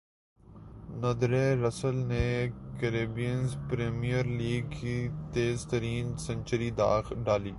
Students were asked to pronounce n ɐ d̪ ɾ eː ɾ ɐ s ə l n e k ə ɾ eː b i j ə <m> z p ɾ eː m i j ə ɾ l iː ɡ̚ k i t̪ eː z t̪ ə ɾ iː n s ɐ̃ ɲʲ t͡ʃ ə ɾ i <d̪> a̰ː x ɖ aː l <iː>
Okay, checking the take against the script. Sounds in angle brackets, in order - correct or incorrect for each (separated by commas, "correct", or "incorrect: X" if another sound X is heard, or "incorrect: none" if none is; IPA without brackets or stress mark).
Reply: incorrect: n, correct, correct